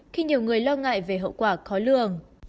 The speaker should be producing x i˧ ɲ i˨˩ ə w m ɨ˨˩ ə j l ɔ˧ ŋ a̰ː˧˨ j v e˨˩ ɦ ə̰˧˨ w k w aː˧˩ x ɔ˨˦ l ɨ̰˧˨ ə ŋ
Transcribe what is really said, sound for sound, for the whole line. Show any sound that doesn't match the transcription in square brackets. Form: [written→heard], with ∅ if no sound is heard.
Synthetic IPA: x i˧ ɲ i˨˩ ə w [m→ŋ] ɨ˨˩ ə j l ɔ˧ ŋ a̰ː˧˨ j v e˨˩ ɦ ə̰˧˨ w k w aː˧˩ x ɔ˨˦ l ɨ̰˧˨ ə ŋ